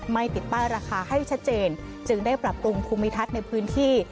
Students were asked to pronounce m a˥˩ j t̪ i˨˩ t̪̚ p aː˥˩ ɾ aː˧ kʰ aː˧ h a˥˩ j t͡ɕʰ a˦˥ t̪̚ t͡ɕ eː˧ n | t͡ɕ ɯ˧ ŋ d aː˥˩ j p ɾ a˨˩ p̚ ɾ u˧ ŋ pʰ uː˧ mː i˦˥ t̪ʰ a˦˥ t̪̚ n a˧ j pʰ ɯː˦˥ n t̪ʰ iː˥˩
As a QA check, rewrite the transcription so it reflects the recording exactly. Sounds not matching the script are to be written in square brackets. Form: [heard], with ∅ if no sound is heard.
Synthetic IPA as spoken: m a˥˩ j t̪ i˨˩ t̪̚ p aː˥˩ ɾ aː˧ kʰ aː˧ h a˥˩ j t͡ɕʰ a˦˥ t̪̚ t͡ɕ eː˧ n | t͡ɕ ɯ˧ ŋ d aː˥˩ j p ɾ a˨˩ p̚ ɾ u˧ ŋ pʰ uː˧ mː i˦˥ t̪ʰ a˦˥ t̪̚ n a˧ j pʰ ɯː˦˥ n t̪ʰ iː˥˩